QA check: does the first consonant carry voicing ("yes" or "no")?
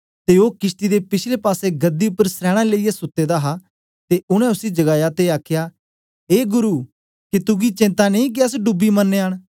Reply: no